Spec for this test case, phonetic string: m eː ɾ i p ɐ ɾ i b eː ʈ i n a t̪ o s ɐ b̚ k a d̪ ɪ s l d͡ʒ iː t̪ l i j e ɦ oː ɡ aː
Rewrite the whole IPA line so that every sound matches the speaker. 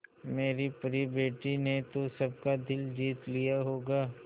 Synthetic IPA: m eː ɾ i p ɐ ɾ i b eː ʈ i n e t̪ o s ɐ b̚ k a d̪ ɪ l d͡ʒ iː t̪ l i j a ɦ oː ɡ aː